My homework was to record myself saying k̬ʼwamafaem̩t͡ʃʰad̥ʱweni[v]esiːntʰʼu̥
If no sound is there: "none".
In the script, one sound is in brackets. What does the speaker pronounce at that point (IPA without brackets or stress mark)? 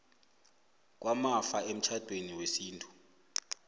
w